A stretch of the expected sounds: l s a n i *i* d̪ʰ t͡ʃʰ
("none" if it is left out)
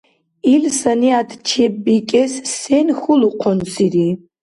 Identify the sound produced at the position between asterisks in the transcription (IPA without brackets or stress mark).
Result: a